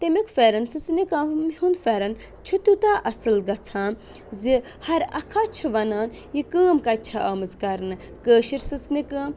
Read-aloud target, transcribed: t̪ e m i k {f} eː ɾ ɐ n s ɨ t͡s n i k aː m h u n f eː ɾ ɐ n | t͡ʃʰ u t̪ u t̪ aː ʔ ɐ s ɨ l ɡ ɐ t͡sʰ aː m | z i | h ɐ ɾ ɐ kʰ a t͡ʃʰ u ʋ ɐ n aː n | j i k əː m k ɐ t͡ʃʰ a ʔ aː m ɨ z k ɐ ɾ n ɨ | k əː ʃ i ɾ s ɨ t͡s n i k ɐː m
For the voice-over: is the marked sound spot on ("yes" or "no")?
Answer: yes